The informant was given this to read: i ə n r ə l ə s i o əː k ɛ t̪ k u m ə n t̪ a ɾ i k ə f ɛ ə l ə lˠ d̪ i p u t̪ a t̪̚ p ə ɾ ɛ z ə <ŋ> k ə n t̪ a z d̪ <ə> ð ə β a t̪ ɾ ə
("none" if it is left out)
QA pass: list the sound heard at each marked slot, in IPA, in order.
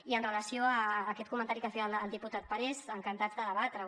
ŋ, ə

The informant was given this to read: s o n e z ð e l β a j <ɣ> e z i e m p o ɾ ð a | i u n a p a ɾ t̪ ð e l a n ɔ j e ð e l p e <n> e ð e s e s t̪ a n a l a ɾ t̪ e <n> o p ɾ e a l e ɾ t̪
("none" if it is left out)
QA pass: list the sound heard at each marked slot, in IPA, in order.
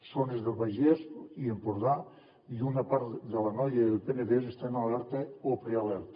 ʒ, n, none

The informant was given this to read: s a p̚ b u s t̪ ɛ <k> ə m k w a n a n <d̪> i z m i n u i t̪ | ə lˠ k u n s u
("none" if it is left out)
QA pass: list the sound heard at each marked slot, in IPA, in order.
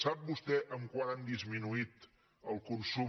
ʔ, d̪

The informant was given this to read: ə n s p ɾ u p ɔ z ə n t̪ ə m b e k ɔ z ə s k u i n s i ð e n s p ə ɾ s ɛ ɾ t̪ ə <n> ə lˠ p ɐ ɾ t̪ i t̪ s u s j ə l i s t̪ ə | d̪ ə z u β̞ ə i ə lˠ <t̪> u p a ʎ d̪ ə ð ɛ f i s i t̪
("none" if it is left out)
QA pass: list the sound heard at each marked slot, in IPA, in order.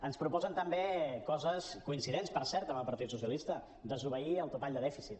m, t̪

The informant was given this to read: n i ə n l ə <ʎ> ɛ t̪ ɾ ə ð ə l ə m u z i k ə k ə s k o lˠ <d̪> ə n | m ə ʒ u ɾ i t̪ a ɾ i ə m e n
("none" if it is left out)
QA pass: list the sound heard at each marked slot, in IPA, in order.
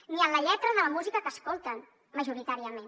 ʎ, t̪

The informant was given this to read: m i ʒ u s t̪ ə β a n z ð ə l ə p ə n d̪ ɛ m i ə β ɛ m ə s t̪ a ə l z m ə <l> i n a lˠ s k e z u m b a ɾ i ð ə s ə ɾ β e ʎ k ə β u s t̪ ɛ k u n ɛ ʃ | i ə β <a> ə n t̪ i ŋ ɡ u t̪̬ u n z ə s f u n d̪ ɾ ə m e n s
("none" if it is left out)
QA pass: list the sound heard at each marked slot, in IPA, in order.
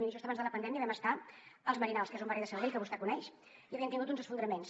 ɾ, i

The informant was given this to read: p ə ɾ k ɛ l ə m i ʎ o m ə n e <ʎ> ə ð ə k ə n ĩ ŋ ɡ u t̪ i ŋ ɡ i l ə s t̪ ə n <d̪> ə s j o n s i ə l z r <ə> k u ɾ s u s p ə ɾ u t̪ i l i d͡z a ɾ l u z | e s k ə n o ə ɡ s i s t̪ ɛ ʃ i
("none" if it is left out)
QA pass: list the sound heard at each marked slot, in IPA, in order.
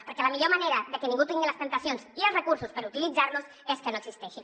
ɾ, t̪, ə

